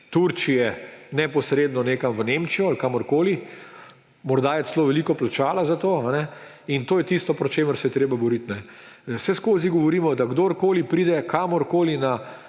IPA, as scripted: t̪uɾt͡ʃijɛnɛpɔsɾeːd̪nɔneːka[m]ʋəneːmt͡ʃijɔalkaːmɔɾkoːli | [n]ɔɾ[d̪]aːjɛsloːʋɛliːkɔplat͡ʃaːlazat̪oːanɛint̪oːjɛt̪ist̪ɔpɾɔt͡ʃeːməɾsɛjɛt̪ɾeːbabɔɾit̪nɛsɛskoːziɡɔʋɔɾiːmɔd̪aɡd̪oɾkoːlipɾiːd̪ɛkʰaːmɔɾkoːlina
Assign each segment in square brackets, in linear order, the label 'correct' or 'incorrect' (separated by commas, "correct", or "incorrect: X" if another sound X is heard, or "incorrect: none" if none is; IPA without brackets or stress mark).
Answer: correct, incorrect: m, correct